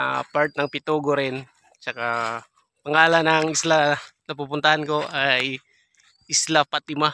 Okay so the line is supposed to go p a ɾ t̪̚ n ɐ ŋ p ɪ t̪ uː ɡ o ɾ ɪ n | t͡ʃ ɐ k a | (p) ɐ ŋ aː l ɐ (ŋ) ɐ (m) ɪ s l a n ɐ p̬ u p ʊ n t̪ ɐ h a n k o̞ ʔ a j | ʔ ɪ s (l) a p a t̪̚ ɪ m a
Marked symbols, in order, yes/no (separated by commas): yes, no, no, yes